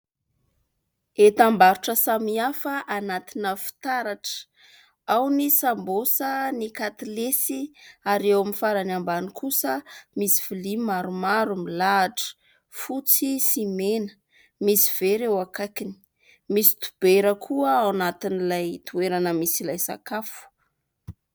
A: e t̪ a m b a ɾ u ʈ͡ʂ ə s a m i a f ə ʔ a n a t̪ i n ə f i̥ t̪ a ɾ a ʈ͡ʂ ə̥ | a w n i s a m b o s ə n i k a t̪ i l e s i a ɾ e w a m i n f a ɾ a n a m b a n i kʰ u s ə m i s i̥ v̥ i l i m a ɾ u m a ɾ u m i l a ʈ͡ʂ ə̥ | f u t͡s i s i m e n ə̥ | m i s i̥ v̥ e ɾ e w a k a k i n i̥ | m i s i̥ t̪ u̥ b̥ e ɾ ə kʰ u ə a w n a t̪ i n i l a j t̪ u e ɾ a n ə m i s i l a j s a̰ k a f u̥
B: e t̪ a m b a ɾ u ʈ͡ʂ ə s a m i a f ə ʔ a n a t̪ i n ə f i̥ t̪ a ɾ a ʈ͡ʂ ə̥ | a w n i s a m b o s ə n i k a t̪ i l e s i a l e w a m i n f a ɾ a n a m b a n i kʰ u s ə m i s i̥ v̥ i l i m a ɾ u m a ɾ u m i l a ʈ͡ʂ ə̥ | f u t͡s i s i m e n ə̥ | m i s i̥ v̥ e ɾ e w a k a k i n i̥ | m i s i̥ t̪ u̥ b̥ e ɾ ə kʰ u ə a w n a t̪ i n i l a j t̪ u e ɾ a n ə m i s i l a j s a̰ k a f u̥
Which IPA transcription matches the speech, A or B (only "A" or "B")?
A